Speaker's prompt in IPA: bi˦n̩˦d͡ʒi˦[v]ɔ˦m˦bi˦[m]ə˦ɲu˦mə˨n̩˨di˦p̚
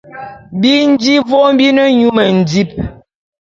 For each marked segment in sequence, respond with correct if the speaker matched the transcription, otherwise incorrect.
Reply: correct, incorrect

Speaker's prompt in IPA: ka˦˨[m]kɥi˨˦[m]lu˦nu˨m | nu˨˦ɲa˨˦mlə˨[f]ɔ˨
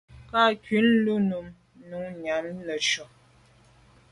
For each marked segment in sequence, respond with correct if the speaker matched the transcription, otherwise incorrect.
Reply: incorrect, incorrect, incorrect

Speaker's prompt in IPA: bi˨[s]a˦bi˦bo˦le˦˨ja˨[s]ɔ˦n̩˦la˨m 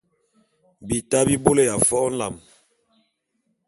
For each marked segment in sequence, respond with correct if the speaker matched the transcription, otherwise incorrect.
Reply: incorrect, incorrect

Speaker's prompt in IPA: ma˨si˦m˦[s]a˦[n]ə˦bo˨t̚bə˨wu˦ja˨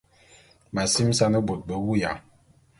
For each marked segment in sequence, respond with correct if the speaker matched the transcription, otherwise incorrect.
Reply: correct, correct

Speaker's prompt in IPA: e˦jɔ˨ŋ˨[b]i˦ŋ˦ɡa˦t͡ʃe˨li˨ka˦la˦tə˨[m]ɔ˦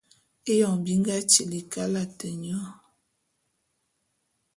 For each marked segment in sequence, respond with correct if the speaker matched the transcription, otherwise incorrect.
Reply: correct, incorrect

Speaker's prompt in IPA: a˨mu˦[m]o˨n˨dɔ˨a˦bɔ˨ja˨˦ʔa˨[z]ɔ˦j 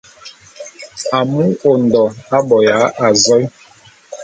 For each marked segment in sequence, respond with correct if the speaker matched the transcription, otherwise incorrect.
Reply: incorrect, correct

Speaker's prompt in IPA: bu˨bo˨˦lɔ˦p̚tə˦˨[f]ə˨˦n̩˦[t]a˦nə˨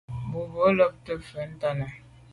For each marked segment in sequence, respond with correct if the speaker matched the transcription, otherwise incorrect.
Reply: correct, correct

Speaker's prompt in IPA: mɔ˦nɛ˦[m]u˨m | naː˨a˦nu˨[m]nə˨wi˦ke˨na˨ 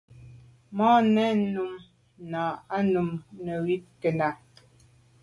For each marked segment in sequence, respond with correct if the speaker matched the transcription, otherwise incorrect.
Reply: incorrect, correct

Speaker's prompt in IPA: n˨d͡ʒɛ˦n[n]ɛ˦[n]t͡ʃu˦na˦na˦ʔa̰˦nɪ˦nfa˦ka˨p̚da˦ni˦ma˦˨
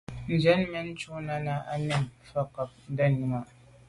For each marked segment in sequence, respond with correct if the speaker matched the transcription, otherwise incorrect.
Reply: incorrect, correct

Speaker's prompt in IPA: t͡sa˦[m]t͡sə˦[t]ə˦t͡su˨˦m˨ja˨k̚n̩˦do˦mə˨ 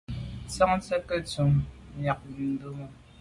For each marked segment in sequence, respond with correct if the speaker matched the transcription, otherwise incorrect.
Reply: incorrect, incorrect

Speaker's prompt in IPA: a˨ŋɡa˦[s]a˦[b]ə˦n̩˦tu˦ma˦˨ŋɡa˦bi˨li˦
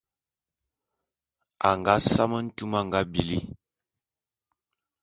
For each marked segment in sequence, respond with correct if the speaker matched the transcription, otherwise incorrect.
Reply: correct, incorrect

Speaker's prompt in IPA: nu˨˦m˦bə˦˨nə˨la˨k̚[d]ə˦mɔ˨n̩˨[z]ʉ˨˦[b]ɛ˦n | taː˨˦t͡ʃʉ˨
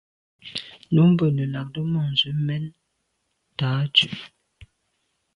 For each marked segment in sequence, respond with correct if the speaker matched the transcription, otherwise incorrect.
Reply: correct, correct, incorrect

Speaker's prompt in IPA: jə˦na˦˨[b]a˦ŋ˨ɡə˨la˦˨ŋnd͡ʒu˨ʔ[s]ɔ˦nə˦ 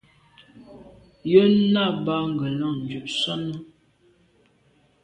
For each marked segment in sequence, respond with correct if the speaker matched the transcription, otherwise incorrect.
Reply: correct, correct

